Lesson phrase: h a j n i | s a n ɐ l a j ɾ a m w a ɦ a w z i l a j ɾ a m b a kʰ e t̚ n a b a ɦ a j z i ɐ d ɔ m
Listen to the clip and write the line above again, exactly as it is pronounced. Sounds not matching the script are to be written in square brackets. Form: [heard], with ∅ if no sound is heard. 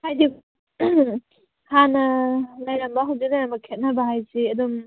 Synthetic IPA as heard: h a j [d] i | [h] a n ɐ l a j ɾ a m [b] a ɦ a w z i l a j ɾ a m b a kʰ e t̚ n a b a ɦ a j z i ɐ d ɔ m